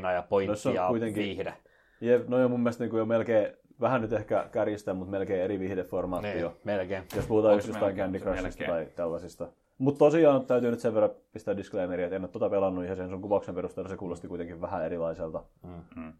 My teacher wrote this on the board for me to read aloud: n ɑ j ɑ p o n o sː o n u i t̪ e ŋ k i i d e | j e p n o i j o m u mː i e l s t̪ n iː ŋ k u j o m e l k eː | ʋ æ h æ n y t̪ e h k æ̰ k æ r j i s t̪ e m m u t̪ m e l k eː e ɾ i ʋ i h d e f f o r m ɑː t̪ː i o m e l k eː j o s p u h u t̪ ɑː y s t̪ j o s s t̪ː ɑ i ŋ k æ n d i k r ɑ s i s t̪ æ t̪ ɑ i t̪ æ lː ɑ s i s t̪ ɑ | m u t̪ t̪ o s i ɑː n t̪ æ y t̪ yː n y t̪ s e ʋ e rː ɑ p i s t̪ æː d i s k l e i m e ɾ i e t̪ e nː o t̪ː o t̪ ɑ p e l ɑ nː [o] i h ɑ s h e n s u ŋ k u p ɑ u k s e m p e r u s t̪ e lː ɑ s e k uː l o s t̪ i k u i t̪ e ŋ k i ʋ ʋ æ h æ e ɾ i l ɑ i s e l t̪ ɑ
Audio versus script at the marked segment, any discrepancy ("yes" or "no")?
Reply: yes